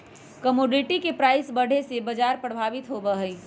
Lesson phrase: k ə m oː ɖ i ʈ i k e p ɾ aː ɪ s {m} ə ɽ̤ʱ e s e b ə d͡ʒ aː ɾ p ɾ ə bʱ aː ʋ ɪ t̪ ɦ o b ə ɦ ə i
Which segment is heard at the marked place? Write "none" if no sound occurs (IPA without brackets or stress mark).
b